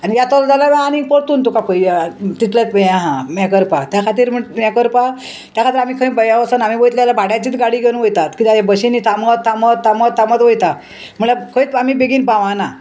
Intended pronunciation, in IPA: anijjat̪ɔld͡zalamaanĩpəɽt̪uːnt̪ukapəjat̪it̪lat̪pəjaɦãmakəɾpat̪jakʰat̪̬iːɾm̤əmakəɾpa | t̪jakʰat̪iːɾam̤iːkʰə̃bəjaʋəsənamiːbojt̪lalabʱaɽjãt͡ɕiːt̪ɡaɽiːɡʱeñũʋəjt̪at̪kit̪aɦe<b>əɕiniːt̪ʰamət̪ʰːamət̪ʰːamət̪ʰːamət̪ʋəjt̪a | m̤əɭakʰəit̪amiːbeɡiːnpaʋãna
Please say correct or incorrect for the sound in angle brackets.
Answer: correct